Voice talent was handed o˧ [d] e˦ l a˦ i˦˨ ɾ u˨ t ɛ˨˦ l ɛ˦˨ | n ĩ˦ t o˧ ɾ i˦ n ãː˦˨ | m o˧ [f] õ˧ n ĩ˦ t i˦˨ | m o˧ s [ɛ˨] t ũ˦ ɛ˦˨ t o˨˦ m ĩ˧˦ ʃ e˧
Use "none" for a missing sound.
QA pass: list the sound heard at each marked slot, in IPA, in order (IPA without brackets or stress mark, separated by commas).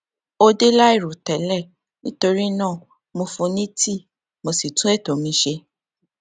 d, f, i˨